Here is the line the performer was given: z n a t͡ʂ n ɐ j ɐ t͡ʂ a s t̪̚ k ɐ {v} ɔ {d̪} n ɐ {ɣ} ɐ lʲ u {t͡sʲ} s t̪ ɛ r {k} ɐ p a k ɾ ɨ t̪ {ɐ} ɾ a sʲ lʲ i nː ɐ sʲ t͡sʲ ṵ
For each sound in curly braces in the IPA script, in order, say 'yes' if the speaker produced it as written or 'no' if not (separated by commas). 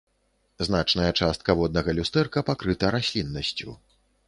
yes, yes, yes, no, yes, yes